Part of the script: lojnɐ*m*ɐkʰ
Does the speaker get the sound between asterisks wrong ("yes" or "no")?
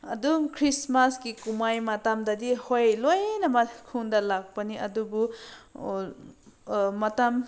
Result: no